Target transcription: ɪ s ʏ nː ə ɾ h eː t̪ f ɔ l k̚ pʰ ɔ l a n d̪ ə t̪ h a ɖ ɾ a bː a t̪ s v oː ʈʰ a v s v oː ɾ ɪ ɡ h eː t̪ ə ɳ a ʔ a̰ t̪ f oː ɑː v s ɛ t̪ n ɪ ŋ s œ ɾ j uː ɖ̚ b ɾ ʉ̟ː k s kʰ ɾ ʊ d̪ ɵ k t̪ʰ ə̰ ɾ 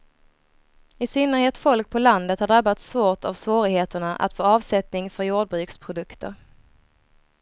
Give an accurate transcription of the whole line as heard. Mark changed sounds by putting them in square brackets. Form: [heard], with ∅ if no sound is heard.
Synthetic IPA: ɪ s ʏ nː ə ɾ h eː t̪ f ɔ l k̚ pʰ ɔ l a n d̪ ə t̪ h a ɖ ɾ a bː a t̪ s v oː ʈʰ a v s v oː ɾ ɪ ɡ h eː t̪ ə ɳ a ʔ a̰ t̪ f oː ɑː v s ɛ t̪ n ɪ ŋ [f] œ ɾ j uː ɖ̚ b ɾ ʉ̟ː k s [pʰ] ɾ ʊ d̪ ɵ k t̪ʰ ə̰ ɾ

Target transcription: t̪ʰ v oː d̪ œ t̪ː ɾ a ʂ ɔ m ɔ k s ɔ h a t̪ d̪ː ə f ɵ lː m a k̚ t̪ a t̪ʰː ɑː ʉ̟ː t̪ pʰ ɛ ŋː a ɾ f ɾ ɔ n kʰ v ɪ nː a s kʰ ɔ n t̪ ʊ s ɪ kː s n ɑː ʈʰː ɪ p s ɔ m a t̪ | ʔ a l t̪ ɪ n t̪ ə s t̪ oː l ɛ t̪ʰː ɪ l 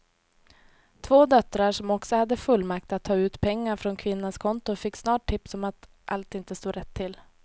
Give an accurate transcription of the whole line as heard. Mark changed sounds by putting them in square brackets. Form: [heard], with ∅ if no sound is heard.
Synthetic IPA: t̪ʰ v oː d̪ œ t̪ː ɾ a ʂ ɔ m ɔ k s ɔ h a [∅] d̪ː ə f ɵ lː m a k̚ t̪ a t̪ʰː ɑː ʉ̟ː t̪ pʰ ɛ ŋː a ɾ f ɾ ɔ n kʰ v ɪ nː a s kʰ ɔ n t̪ ʊ [f] ɪ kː s n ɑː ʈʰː ɪ p s ɔ m a t̪ | ʔ a l t̪ ɪ n t̪ ə s t̪ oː [ɾ] ɛ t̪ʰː ɪ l

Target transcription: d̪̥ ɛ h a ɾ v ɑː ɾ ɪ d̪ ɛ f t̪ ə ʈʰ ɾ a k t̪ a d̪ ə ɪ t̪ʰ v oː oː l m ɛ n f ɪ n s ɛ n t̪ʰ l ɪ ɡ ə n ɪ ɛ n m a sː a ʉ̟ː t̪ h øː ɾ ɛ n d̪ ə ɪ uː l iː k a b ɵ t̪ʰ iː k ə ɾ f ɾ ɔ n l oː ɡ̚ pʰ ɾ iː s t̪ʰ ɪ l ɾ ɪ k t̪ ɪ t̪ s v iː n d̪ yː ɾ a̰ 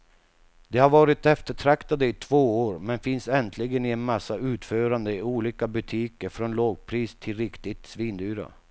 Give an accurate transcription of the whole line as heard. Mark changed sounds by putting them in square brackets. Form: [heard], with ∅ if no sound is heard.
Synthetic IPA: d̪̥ ɛ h a ɾ v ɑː ɾ ɪ [t̪] ɛ f t̪ ə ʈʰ ɾ a k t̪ a d̪ ə ɪ t̪ʰ v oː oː [ɾ] m ɛ n f ɪ n s ɛ n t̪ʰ l ɪ ɡ ə n ɪ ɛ n m a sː a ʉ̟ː t̪ [f] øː ɾ [a] n d̪ ə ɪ uː l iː k a b ɵ t̪ʰ iː k ə ɾ f ɾ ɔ n l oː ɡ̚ pʰ ɾ iː s t̪ʰ ɪ l ɾ ɪ k t̪ ɪ t̪ s v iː n d̪ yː ɾ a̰

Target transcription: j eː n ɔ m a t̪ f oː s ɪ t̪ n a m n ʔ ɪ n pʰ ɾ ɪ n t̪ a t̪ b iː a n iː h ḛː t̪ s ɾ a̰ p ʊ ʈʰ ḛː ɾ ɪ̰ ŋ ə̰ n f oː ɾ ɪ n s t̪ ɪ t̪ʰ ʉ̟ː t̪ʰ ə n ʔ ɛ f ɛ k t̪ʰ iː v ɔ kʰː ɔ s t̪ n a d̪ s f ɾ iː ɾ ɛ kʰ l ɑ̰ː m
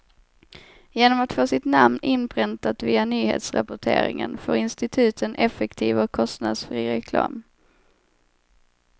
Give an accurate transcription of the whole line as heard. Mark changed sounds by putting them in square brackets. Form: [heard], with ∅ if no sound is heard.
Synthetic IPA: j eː n ɔ m a t̪ f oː s ɪ t̪ n a m n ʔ ɪ n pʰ ɾ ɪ n t̪ a t̪ [v] iː a n [yː] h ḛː t̪ s ɾ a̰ p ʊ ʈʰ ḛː ɾ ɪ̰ ŋ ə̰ n f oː ɾ ɪ n s t̪ ɪ t̪ʰ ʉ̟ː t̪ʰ ə n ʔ ɛ f ɛ k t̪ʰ iː v ɔ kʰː ɔ s t̪ n a d̪ s f ɾ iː ɾ ɛ kʰ l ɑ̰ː m

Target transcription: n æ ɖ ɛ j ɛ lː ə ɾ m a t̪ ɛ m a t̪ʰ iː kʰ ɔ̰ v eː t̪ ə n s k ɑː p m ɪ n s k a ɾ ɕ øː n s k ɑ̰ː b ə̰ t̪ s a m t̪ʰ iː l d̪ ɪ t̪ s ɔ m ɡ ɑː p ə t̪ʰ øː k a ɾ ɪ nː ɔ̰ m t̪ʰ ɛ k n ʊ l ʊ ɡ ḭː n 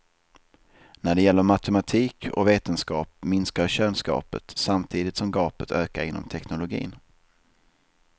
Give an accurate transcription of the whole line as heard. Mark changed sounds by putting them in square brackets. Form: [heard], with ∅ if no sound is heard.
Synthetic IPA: n æ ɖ ɛ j ɛ lː ə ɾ m a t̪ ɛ m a t̪ʰ iː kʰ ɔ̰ v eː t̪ ə n s k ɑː p m ɪ n s k a ɾ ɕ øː n s k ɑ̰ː [p] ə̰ t̪ s a m t̪ʰ iː [∅] d̪ ɪ t̪ s ɔ m ɡ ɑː p ə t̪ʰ øː k a ɾ ɪ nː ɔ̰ m t̪ʰ ɛ k n ʊ l ʊ ɡ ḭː n

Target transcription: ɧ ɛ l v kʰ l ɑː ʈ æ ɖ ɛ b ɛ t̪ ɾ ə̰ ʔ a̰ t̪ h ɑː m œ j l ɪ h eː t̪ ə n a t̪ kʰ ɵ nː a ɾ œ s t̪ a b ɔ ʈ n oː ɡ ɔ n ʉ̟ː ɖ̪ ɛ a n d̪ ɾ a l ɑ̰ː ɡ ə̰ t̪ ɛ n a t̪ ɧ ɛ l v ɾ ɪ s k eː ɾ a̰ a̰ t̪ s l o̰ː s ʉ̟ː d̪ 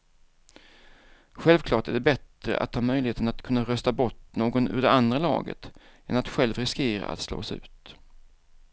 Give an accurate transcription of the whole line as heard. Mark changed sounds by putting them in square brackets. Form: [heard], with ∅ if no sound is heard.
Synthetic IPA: ɧ ɛ l v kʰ l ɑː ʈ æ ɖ ɛ b ɛ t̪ ɾ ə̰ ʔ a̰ t̪ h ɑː m œ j l ɪ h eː t̪ ə n a t̪ kʰ ɵ nː a ɾ œ s t̪ a b ɔ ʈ n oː ɡ ɔ n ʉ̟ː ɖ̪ ɛ a n d̪ ɾ a l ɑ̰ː ɡ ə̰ t̪ ɛ n a t̪ ɧ ɛ l v ɾ ɪ s k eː ɾ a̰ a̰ t̪ s l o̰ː s ʉ̟ː [t̪]

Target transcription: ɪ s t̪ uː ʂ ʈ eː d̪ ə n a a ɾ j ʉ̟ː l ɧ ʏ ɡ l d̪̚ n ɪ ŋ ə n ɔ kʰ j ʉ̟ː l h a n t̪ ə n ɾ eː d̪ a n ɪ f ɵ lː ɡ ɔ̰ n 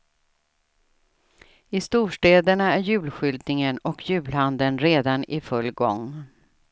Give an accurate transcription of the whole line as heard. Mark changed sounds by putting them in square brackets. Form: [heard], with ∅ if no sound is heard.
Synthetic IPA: ɪ s t̪ uː ʂ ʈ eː d̪ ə [ɳ] a [æ] ɾ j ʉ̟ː l ɧ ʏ [∅] l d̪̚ n ɪ ŋ ə n ɔ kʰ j ʉ̟ː l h a n [d̪] ə n ɾ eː d̪ a n ɪ f ɵ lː ɡ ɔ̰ [ŋ]

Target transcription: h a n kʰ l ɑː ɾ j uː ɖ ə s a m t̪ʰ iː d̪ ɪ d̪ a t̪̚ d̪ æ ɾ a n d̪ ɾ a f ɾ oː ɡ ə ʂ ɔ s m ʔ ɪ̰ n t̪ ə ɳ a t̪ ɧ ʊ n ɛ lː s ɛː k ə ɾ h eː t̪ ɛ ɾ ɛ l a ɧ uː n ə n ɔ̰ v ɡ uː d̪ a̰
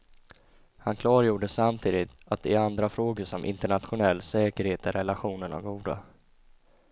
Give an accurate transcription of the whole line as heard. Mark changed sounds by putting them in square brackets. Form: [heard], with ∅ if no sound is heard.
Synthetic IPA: h a n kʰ l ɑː ɾ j uː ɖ ə s a m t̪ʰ iː d̪ ɪ [t̪] a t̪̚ d̪ [ɛ] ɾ a n d̪ ɾ a f ɾ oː ɡ ə ʂ ɔ [∅] m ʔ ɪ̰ n t̪ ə ɳ a t̪ ɧ ʊ n ɛ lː s ɛː k ə ɾ h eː t̪ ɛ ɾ ɛ l a ɧ uː n ə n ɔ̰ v ɡ uː d̪ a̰

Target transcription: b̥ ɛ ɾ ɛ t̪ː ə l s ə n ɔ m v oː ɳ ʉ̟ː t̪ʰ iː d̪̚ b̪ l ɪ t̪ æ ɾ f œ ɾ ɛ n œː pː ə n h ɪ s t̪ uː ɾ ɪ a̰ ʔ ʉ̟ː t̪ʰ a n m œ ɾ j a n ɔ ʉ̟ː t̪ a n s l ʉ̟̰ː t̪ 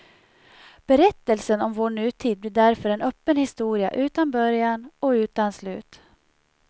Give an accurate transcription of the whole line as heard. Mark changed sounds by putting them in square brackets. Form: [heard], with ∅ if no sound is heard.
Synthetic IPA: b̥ ɛ ɾ ɛ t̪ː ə l s ə n ɔ m v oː ɳ ʉ̟ː t̪ʰ iː d̪̚ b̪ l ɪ [d̪] æ ɾ f œ ɾ ɛ n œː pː ə n h ɪ s t̪ uː ɾ ɪ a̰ ʔ ʉ̟ː [t̪] a n [b] œ ɾ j a n ɔ ʉ̟ː t̪ a n s l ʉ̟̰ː t̪

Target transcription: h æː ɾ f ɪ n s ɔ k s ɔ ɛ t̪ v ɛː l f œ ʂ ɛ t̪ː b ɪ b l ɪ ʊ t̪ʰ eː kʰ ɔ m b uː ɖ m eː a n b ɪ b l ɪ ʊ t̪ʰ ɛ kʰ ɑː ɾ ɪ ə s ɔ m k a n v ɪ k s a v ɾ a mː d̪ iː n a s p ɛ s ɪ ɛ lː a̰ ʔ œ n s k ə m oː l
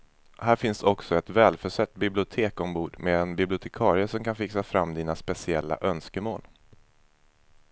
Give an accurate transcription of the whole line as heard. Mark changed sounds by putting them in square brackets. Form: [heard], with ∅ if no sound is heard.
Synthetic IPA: h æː ɾ f ɪ n s ɔ k s ɔ ɛ t̪ v ɛː l f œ ʂ ɛ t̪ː b ɪ b l ɪ ʊ t̪ʰ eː [k] ɔ m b uː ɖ m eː [ɛ] n b ɪ b l ɪ ʊ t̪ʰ ɛ kʰ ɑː ɾ ɪ ə s ɔ m k a n [f] ɪ k s a [f] ɾ a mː d̪ iː n a s p ɛ s ɪ ɛ lː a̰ ʔ œ n s k ə m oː l

